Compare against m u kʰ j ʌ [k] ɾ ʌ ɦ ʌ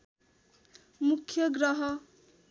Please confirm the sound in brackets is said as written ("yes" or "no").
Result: no